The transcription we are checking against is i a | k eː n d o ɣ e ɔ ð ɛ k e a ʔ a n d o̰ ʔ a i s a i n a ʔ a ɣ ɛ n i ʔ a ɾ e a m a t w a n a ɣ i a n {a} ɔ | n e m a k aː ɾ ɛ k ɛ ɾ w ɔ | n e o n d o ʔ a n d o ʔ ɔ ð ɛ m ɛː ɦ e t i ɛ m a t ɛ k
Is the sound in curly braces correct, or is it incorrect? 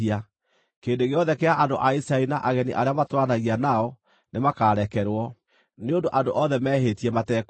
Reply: correct